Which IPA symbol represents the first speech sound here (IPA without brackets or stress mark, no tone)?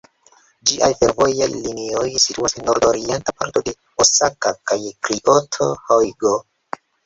d͡ʒ